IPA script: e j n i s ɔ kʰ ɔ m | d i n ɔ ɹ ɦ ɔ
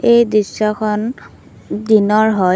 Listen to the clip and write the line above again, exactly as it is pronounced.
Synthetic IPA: e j d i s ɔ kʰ ɔ n | d i n ɔ ɹ ɦ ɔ